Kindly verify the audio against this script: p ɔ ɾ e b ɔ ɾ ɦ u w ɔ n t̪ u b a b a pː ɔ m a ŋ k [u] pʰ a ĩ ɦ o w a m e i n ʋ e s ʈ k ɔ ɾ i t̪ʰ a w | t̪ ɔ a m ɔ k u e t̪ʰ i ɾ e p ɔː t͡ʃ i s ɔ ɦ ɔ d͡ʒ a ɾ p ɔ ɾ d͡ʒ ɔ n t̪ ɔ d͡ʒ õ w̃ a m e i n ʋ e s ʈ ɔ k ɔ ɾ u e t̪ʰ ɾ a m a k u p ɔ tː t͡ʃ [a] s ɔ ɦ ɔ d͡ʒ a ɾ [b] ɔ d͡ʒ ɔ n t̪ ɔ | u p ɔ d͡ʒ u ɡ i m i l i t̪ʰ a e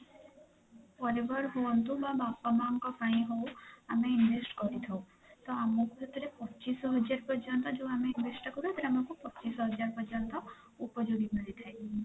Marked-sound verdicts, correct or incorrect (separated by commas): incorrect, incorrect, incorrect